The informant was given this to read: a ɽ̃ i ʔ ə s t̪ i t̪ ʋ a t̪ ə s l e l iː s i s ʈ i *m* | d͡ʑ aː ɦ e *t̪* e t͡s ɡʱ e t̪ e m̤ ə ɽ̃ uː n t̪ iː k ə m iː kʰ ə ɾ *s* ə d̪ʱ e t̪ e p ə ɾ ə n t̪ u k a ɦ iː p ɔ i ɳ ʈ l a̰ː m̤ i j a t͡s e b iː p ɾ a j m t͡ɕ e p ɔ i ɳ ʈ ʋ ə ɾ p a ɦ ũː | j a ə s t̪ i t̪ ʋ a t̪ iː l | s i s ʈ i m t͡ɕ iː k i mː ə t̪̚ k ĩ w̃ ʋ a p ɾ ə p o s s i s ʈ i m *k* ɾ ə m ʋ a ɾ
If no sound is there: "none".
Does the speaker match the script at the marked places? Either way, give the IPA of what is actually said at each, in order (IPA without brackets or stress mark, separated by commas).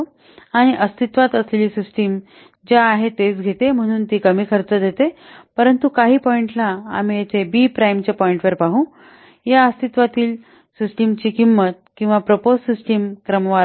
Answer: m, t̪, t͡s, k